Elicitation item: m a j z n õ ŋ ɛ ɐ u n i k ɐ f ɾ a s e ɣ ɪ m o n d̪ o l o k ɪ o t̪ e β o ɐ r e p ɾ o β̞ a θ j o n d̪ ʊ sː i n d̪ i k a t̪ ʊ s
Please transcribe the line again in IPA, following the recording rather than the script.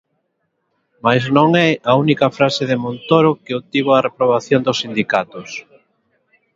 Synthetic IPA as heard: m a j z n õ ŋ ɛ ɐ u n i k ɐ f ɾ a s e ð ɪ m o n t̪ o ɾ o k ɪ o t̪ i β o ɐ r e p ɾ o β̞ a θ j o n d̪ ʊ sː i n d̪ i k a t̪ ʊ s